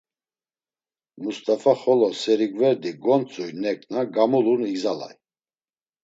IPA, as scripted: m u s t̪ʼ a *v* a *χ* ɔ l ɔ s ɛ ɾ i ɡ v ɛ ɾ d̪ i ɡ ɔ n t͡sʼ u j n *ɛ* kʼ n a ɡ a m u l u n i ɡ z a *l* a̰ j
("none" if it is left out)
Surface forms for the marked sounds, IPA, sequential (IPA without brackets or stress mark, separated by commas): f, χ, ɛ, l